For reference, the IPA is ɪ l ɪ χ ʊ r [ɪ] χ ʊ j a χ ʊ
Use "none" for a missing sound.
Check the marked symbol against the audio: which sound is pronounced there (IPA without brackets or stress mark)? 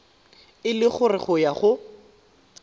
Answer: ɪ